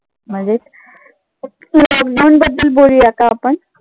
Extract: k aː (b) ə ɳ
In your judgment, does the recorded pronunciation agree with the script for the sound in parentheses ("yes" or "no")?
no